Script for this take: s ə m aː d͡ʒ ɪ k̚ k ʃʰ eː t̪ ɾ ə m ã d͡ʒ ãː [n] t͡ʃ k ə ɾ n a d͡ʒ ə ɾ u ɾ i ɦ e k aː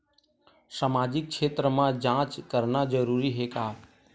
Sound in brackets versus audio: incorrect: none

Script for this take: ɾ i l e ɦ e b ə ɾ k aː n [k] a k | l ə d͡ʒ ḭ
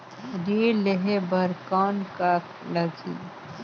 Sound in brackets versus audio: correct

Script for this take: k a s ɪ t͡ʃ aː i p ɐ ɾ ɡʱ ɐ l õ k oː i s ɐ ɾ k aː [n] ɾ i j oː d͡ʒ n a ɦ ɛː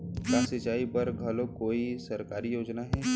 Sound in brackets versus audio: incorrect: none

